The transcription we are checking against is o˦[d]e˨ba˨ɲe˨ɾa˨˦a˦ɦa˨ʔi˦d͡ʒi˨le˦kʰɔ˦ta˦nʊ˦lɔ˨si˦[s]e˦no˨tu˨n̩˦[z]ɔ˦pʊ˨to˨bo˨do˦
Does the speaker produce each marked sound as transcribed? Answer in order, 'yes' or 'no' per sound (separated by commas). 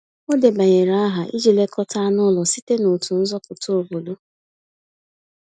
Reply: yes, no, yes